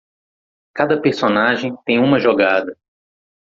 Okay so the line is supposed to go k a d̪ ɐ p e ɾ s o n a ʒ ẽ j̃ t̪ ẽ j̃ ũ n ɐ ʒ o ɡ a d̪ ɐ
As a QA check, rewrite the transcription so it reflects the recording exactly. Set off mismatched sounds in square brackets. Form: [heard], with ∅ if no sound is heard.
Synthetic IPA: k a d̪ ɐ p e ɾ s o n a ʒ ẽ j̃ t̪ ẽ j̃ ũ [m] ɐ ʒ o ɡ a d̪ ɐ